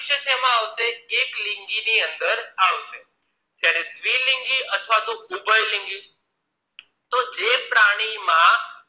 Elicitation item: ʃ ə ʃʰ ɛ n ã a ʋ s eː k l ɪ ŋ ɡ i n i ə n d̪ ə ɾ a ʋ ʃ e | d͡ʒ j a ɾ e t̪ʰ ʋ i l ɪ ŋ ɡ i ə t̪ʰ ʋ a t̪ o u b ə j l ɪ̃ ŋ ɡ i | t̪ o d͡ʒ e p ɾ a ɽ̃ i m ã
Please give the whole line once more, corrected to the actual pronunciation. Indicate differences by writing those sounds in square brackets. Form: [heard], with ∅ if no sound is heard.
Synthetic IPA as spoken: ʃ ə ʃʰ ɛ [m] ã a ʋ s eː k l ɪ ŋ ɡ i n i ə n d̪ ə ɾ a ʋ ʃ e | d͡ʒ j a ɾ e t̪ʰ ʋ i l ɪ ŋ ɡ i ə t̪ʰ ʋ a t̪ o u b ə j l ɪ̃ ŋ ɡ i | t̪ o d͡ʒ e p ɾ a ɽ̃ i m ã